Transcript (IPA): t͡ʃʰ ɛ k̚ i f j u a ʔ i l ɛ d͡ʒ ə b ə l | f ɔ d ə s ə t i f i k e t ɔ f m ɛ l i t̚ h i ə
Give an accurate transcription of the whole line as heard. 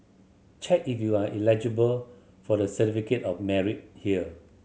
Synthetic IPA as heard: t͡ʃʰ ɛ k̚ i f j u a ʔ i l ɛ d͡ʒ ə b ə l | f ɔ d ə s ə t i f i k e t ɔ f m ɛ ɹ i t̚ h i ə